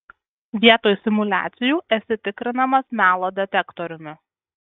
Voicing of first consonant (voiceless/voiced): voiced